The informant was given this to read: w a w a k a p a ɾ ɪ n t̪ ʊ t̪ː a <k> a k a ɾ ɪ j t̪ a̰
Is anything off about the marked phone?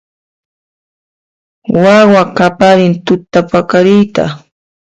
yes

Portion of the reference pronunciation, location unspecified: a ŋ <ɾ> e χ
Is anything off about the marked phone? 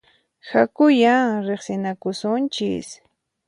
no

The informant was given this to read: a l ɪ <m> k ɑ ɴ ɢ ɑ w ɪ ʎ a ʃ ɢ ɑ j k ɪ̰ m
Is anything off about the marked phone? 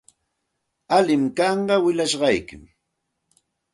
no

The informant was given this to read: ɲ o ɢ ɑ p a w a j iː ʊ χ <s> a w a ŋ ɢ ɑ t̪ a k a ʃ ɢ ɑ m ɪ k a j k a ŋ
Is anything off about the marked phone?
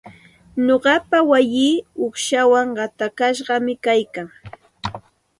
yes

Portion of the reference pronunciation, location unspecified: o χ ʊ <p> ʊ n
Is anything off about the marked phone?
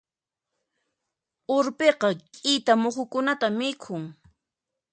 yes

